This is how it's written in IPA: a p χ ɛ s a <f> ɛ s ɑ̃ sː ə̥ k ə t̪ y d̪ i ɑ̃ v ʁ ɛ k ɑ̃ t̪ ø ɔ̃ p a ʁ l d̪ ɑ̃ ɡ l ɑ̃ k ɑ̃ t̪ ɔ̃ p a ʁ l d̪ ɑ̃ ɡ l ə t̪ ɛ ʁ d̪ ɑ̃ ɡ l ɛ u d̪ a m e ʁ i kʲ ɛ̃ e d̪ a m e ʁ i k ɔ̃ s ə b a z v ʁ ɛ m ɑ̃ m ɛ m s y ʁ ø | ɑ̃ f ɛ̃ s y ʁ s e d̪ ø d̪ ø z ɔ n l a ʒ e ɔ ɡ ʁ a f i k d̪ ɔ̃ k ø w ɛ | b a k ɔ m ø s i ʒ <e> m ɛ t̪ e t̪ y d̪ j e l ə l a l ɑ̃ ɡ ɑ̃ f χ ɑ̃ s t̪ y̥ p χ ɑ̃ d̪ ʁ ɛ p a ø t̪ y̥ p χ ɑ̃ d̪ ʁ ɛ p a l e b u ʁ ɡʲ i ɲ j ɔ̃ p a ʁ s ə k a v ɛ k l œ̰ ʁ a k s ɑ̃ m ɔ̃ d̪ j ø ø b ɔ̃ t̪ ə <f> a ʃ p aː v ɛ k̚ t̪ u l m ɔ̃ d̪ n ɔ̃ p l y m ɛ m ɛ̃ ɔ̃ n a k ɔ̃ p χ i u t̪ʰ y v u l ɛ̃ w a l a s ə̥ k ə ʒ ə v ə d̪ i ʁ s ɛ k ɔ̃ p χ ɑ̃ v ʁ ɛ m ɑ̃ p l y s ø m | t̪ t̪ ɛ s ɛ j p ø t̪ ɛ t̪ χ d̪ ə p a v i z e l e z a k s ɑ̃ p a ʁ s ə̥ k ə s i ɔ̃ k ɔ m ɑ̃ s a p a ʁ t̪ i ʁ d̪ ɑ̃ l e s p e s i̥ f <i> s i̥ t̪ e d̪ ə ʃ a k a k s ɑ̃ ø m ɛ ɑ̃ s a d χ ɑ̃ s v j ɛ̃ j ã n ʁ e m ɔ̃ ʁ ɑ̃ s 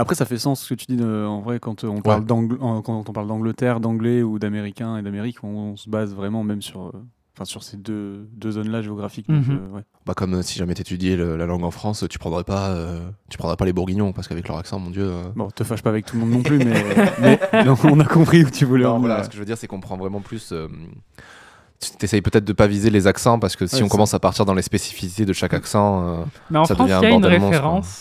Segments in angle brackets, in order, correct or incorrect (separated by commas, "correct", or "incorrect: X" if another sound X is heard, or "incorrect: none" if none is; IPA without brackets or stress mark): correct, incorrect: a, correct, correct